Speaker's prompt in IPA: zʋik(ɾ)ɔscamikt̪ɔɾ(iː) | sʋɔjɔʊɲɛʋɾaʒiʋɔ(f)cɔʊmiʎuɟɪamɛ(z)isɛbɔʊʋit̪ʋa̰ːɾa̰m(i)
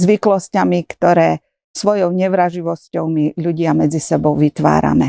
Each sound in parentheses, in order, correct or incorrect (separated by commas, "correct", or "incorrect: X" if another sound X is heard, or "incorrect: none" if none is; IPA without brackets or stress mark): incorrect: l, incorrect: ɛː, incorrect: s, incorrect: d͡z, incorrect: ɛ